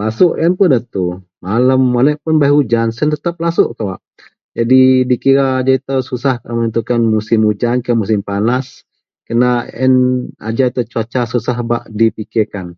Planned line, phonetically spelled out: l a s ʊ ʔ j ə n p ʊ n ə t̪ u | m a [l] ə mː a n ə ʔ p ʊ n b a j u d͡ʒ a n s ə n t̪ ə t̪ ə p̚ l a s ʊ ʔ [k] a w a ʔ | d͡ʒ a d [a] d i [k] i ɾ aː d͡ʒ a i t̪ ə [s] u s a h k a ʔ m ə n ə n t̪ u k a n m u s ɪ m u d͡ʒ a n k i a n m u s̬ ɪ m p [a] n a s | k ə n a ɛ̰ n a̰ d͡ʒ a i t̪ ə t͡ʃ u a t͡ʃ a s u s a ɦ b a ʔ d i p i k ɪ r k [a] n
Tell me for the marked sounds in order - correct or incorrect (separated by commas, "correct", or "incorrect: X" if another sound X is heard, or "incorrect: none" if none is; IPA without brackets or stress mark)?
correct, correct, incorrect: i, correct, correct, correct, correct